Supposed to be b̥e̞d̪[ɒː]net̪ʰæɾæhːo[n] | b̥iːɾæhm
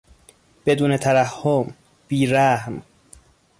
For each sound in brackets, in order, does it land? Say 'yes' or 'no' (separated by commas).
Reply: no, no